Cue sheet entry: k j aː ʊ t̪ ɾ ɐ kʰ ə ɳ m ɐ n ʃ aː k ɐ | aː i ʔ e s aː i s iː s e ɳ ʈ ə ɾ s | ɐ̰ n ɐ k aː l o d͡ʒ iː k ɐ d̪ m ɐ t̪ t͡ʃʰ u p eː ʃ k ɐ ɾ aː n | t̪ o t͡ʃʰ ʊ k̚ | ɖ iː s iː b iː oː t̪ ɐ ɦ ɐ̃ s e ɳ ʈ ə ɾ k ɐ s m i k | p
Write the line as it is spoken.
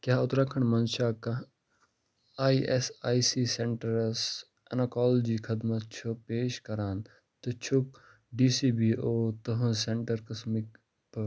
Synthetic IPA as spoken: k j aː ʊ t̪ ɾ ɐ kʰ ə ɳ m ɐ n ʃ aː k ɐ | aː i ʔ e s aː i s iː s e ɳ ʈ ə ɾ s | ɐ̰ n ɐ k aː l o d͡ʒ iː kʰ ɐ d̪ m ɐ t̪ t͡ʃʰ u p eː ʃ k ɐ ɾ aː n | t̪ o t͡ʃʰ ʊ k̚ | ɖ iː s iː b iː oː t̪ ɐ ɦ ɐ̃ s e ɳ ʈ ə ɾ k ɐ s m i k | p